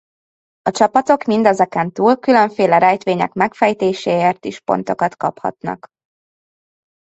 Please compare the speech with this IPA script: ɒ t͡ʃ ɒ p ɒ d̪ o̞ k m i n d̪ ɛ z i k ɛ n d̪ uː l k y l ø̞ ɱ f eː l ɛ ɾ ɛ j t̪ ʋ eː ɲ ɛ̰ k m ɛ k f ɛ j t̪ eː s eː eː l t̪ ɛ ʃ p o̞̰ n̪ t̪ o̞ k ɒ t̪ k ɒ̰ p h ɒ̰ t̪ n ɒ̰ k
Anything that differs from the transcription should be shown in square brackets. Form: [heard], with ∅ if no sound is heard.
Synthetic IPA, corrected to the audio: ɒ t͡ʃ ɒ p ɒ [t̪] o̞ k m i n d̪ ɛ z [ɛ] k ɛ n [t̪] uː l k y l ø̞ ɱ f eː l ɛ ɾ ɛ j t̪ ʋ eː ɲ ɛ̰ k m ɛ k f ɛ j t̪ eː [ʃ] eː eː [r] t̪ [i] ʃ p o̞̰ n̪ t̪ o̞ k ɒ t̪ k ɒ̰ p h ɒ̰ t̪ n ɒ̰ k